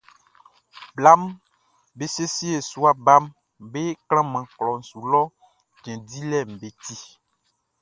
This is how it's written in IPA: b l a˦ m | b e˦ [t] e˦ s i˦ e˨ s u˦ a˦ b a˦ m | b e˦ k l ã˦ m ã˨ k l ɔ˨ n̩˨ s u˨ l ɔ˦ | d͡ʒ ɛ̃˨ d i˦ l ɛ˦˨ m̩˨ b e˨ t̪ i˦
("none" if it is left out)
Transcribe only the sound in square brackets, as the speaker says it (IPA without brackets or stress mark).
s